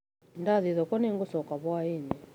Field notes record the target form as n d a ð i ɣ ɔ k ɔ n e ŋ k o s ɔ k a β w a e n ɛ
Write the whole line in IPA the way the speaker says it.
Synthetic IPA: n d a ð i ð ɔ k ɔ n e ŋ ɡ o s ɔ k a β w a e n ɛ